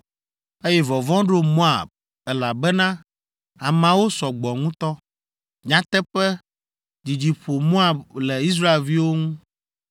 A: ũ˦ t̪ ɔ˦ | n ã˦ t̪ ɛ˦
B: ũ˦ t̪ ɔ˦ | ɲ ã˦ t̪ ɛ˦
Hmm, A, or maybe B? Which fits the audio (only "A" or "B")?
B